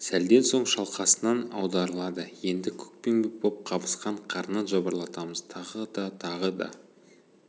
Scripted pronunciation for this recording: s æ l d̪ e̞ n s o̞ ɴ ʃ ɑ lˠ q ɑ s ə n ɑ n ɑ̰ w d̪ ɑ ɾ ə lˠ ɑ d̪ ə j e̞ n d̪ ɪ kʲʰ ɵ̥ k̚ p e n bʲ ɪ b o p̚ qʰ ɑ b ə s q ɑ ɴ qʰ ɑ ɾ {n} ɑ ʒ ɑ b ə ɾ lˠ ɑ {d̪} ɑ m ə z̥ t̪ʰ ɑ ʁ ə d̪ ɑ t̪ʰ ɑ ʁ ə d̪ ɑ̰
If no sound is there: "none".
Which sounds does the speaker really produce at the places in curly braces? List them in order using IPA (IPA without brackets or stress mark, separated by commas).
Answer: n, t̪